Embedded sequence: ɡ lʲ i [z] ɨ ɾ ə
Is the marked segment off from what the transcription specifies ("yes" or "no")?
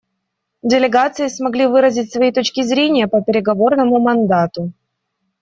yes